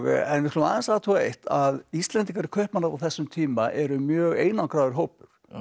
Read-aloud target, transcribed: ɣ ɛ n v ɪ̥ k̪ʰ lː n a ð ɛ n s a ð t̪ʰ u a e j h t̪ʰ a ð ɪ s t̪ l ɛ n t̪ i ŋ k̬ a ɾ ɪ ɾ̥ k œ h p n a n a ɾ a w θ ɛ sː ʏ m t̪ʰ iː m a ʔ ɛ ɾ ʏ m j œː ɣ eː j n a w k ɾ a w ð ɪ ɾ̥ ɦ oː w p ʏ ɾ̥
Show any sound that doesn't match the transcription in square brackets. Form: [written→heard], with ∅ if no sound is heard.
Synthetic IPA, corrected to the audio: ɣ ɛ n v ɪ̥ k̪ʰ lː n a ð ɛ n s a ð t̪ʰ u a e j h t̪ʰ a ð [ɪ→i] s t̪ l ɛ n t̪ i ŋ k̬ a ɾ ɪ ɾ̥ [k→kʰ] œ h p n a n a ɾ a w θ ɛ sː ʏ m t̪ʰ iː m a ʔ ɛ ɾ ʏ m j œː ɣ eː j n a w k ɾ a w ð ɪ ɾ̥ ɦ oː w p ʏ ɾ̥